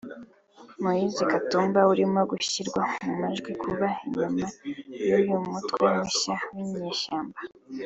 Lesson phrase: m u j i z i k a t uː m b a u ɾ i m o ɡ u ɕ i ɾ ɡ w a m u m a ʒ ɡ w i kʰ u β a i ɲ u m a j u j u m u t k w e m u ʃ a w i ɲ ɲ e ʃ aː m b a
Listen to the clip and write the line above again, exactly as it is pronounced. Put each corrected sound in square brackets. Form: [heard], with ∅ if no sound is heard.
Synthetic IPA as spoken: m u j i z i k a t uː m b a u ɾ i m o ɡ u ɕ i ɾ ɡ w a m u m a ʒ ɡ w i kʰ u β a i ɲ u m a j u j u m u t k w e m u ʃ a w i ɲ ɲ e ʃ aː m b a